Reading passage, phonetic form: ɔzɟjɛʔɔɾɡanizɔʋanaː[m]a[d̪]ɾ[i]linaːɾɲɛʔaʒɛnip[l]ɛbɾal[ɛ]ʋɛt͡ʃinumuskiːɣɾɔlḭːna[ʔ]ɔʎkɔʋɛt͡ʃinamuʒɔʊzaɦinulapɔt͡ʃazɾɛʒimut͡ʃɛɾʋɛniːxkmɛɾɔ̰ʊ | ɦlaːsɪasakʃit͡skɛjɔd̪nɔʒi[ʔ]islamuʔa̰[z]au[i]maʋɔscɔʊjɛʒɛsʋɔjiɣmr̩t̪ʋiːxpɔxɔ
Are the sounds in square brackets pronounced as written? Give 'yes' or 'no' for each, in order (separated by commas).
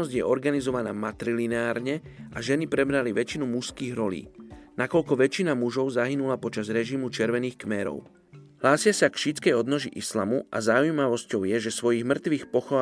yes, no, yes, no, no, no, yes, yes, no